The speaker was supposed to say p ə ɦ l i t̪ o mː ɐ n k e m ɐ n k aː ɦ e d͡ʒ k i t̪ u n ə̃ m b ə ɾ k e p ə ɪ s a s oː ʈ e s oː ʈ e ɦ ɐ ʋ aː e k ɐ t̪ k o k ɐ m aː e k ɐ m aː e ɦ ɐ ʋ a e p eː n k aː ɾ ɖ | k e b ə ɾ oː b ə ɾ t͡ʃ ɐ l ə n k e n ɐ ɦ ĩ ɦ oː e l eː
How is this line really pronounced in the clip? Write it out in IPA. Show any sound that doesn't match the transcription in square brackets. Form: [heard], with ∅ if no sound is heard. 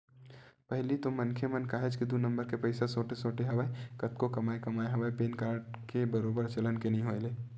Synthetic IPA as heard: p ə ɦ l i t̪ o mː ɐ n [kʰ] e m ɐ n k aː ɦ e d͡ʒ k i [d̪] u n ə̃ m b ə ɾ k e p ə ɪ s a s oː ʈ e s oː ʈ e ɦ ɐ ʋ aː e k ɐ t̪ k o k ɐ m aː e k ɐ m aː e ɦ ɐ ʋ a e p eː n k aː ɾ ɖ | k e b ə ɾ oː b ə ɾ t͡ʃ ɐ l ə n k e n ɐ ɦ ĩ ɦ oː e l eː

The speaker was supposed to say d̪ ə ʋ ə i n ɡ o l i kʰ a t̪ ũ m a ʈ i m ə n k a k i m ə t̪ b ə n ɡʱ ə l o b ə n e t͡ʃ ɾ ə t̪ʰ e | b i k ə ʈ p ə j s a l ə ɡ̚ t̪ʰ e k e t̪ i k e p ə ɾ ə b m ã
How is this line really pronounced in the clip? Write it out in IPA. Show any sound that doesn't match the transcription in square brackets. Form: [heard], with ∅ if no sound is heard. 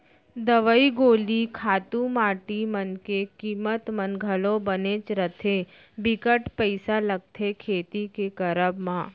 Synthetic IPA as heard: d̪ ə ʋ ə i [∅] ɡ o l i kʰ a t̪ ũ m a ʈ i m ə n k [e] k i m ə t̪ [m] ə n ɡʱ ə l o b ə n e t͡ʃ ɾ ə t̪ʰ e | b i k ə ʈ p ə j s a l ə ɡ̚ t̪ʰ e [kʰ] e t̪ i k e [k] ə ɾ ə b m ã

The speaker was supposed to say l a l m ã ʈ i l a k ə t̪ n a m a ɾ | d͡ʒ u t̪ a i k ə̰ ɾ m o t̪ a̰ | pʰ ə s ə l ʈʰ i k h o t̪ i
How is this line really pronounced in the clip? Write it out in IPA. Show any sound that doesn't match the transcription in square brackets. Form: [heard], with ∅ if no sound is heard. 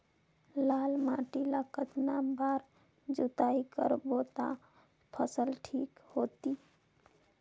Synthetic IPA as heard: l a l m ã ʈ i l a k ə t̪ n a [b] a ɾ | d͡ʒ u t̪ a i k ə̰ ɾ [b] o t̪ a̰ | pʰ ə s ə l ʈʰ i k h o t̪ i

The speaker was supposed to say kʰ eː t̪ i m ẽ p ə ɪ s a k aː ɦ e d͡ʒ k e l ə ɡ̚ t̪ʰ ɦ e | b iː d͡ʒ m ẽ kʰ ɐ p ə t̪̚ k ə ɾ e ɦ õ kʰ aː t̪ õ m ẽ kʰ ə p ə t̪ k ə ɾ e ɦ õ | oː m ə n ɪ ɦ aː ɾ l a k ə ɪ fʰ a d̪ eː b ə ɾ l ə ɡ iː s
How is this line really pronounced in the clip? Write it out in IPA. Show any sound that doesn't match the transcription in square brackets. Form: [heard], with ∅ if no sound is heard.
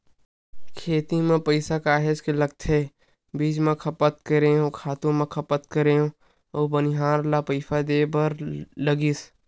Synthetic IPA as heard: kʰ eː t̪ i m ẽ p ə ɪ s a k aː ɦ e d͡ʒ k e l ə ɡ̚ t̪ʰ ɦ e | b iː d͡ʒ m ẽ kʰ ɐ p ə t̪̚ k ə ɾ e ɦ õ kʰ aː t̪ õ m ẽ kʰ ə p ə t̪ k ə ɾ e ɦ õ | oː [b] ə n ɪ ɦ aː ɾ l a [p] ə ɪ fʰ a d̪ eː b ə ɾ l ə ɡ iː s

